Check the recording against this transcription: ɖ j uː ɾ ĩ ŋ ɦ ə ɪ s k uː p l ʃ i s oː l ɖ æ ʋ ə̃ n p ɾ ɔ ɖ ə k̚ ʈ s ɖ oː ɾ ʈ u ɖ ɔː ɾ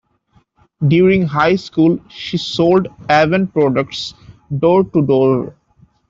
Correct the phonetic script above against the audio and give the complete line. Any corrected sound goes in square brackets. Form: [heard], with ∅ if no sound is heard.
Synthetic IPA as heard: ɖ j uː ɾ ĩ ŋ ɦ [a] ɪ s k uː [∅] l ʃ i s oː l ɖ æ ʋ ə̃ n p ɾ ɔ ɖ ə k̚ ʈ s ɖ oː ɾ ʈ u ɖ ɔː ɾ